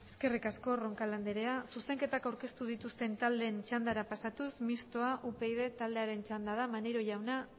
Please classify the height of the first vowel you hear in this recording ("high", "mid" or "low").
mid